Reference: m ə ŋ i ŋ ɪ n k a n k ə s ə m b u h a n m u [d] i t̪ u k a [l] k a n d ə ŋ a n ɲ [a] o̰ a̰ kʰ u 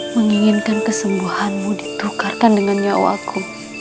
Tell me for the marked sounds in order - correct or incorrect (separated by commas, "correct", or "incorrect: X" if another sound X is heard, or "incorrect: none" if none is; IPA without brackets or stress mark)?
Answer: correct, incorrect: r, correct